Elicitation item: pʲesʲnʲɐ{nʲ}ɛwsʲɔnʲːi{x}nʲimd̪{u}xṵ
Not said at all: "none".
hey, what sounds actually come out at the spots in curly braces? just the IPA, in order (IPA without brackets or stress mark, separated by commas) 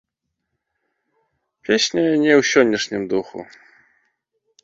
nʲ, ʂ, u